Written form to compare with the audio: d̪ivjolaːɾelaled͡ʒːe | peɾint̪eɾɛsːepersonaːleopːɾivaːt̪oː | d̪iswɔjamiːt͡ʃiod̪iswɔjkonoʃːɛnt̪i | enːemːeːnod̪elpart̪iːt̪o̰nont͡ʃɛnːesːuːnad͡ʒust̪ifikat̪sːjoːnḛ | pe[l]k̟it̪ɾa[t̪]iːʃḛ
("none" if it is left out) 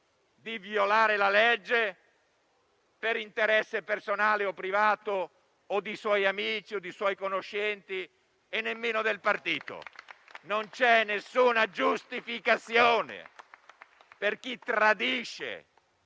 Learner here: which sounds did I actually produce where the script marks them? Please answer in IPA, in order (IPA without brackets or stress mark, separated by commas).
r, d̪